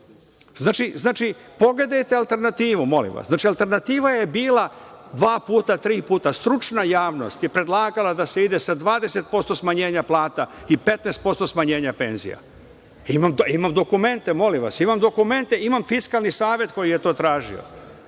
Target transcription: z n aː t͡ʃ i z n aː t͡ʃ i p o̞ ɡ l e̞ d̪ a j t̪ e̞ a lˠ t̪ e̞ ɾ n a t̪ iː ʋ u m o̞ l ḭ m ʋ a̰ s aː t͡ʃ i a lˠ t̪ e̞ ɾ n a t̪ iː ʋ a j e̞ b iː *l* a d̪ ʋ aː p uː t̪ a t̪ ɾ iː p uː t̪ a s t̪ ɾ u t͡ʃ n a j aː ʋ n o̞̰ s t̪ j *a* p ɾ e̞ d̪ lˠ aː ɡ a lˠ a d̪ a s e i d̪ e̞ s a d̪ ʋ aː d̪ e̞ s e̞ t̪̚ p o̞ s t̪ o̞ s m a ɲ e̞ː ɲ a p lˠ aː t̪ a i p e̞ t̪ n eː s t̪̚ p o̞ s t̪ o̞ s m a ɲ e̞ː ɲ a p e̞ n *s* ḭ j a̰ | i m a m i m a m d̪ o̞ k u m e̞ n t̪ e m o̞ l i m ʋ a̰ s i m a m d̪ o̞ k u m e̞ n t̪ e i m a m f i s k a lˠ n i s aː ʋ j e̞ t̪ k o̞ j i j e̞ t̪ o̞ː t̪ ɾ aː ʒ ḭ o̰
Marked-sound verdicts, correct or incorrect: correct, incorrect: e, incorrect: z

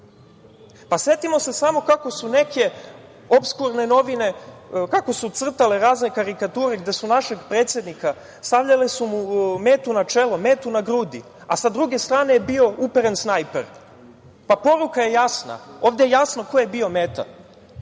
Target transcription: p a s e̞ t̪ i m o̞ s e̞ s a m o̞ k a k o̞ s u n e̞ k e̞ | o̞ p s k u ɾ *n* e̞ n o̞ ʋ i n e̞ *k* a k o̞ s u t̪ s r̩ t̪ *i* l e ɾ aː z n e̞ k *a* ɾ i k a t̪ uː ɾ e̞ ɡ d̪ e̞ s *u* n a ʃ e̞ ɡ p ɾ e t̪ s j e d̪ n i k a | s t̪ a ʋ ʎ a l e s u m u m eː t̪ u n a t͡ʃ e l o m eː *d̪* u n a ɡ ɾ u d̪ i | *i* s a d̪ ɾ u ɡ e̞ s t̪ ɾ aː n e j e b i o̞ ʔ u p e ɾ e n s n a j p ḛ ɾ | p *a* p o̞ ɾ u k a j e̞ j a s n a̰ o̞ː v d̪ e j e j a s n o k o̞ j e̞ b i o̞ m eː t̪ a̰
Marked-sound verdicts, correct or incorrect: correct, correct, incorrect: a, correct, correct, incorrect: t̪, incorrect: a, correct

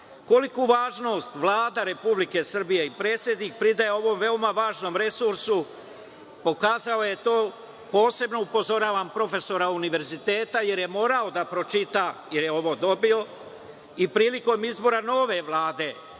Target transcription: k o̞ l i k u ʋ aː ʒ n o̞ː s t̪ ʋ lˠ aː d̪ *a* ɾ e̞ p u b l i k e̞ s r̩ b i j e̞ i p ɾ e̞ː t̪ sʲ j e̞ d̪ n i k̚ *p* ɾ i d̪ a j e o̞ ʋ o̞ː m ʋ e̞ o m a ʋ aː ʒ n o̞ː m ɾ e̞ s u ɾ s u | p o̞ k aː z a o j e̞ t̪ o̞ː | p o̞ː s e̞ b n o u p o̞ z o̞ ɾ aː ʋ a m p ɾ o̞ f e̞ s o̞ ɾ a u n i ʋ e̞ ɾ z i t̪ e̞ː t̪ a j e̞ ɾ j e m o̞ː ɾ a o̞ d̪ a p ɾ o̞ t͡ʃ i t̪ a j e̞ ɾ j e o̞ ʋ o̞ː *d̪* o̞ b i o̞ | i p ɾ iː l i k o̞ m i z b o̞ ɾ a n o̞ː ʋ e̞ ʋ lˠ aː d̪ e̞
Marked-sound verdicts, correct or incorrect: correct, correct, correct

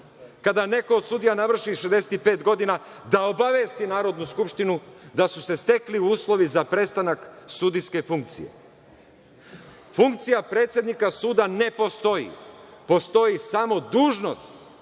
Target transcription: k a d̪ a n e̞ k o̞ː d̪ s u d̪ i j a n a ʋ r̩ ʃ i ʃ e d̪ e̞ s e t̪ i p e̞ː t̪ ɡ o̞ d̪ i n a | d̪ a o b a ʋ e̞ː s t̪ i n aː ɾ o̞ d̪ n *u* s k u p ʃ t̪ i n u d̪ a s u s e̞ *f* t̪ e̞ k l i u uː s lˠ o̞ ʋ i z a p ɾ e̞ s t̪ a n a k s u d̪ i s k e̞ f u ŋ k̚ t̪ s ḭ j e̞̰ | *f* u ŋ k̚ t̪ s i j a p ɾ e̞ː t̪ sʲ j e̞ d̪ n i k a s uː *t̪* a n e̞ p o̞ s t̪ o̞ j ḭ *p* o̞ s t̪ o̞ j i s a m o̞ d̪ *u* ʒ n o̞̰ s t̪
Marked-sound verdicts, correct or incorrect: correct, incorrect: s, correct, incorrect: d̪, correct, incorrect: uː

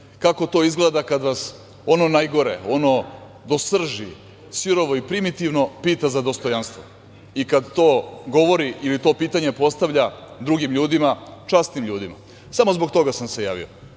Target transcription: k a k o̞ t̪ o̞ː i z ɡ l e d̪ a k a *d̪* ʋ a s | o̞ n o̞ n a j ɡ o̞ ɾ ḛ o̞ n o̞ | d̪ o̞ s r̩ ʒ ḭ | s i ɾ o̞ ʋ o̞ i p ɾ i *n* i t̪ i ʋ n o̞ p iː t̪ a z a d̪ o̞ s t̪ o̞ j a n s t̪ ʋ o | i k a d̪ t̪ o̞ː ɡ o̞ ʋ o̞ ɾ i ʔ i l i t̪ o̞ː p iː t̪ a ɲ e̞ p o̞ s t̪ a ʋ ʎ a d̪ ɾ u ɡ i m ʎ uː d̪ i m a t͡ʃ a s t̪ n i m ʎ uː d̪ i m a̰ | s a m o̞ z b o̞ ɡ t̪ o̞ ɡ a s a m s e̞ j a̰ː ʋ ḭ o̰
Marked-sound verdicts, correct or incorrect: correct, incorrect: m

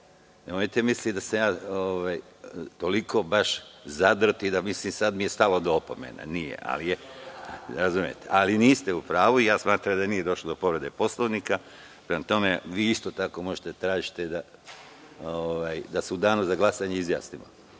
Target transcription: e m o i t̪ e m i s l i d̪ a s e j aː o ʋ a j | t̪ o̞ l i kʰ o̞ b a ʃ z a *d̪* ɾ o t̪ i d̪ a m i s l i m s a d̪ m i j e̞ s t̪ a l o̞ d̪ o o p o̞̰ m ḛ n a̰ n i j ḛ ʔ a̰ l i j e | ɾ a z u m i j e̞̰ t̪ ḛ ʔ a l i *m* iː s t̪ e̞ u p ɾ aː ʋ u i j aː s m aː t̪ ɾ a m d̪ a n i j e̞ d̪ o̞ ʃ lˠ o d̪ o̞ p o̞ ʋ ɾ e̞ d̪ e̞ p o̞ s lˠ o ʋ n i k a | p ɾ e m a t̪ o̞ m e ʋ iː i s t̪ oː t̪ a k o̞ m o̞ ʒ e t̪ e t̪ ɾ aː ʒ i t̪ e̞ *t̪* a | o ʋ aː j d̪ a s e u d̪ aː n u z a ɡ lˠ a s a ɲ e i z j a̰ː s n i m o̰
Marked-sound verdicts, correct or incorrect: correct, incorrect: n, incorrect: d̪

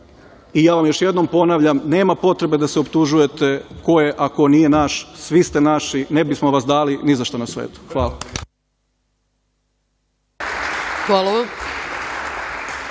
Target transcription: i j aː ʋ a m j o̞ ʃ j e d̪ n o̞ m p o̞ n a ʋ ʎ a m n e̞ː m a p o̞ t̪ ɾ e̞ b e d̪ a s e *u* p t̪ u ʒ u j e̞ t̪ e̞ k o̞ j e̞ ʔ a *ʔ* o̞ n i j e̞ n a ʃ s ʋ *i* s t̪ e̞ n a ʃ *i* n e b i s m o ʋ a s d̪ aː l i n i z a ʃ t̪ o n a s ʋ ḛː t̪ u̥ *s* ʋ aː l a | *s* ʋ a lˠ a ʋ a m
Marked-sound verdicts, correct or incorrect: incorrect: o, incorrect: k, correct, correct, incorrect: x, incorrect: x

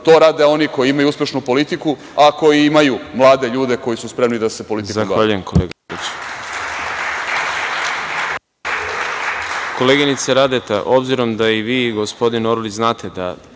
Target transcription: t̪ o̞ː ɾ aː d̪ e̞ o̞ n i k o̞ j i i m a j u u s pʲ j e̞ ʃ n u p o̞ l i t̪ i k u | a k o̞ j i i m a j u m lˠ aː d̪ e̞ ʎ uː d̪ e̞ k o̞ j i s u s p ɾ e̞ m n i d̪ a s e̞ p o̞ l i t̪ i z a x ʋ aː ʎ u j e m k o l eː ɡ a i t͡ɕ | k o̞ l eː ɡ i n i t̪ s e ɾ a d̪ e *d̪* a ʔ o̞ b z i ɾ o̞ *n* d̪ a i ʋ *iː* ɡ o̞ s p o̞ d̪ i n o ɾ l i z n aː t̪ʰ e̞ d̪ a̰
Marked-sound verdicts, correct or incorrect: incorrect: t̪, incorrect: m, correct

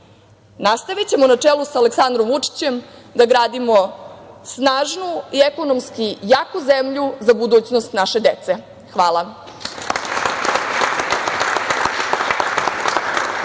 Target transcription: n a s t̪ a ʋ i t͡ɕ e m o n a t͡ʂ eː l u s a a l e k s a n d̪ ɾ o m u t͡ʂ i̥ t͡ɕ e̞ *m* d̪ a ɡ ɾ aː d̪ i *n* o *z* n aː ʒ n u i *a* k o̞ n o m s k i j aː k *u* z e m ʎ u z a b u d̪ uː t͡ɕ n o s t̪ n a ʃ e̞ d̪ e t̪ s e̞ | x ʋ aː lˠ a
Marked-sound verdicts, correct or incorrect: correct, incorrect: m, incorrect: s, incorrect: e, correct

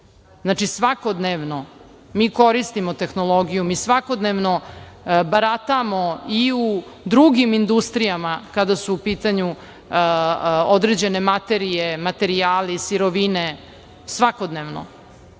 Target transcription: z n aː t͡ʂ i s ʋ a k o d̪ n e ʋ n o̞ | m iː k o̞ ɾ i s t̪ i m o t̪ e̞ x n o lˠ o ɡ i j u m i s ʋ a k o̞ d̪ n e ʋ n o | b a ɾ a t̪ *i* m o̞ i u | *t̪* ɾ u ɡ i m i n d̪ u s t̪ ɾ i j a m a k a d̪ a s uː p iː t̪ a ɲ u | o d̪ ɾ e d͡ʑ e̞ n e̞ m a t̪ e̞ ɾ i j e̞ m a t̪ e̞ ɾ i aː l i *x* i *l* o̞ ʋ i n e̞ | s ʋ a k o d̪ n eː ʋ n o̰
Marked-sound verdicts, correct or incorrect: incorrect: a, incorrect: d̪, incorrect: s, incorrect: ɾ

